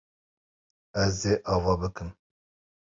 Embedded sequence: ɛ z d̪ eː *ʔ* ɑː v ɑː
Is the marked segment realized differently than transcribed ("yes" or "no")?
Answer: no